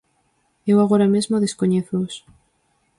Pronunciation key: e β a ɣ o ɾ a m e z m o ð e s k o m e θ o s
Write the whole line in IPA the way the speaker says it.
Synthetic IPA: e w a ɣ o ɾ a m e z m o ð e s k o ɲ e θ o s